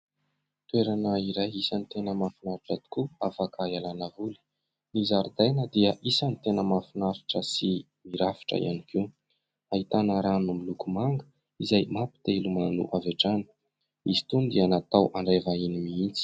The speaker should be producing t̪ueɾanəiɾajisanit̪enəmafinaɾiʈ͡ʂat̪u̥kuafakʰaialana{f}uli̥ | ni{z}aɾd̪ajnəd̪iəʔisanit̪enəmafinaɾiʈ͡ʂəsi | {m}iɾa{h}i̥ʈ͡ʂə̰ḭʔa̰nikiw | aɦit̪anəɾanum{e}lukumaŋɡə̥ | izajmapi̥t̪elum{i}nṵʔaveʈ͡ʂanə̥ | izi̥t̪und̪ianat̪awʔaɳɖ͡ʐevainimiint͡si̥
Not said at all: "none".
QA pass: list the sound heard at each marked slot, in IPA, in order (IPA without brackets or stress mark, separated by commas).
v, z, m, f, i, a